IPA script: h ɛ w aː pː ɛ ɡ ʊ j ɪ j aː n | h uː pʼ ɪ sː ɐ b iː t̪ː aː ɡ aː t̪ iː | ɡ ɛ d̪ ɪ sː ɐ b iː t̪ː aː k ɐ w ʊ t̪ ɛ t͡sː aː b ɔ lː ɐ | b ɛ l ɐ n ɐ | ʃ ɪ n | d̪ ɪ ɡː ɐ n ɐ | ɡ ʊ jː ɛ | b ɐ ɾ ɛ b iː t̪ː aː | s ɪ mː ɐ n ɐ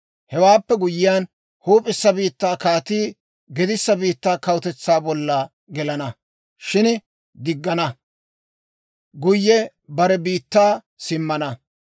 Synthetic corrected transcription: h ɛ w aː pː ɛ ɡ ʊ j ɪ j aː n | h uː pʼ ɪ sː ɐ b iː t̪ː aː k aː t̪ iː | ɡ ɛ d̪ ɪ sː ɐ b iː t̪ː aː k ɐ w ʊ t̪ ɛ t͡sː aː b ɔ lː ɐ | ɡ ɛ l ɐ n ɐ | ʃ ɪ n | d̪ ɪ ɡː ɐ n ɐ | ɡ ʊ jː ɛ | b ɐ ɾ ɛ b iː t̪ː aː | s ɪ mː ɐ n ɐ